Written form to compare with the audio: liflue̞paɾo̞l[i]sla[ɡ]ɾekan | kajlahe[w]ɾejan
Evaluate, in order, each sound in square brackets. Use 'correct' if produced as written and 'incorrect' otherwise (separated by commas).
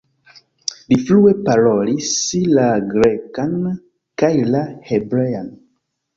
correct, correct, incorrect